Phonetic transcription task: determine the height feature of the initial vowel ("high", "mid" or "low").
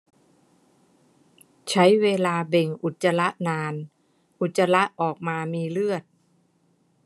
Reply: low